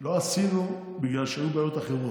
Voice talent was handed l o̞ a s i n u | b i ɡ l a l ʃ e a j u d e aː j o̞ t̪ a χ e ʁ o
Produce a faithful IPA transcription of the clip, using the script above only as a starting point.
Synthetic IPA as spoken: l o̞ a s i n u | b i ɡ l a l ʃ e a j u b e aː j o̞ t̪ a χ e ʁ o